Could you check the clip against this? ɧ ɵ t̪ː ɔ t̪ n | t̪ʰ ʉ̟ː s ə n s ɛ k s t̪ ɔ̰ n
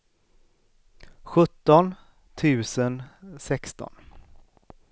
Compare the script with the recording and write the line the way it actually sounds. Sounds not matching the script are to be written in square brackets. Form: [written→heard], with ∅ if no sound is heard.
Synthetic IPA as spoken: ɧ ɵ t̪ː ɔ [t̪→∅] n | t̪ʰ ʉ̟ː s ə n s ɛ k s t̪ ɔ̰ n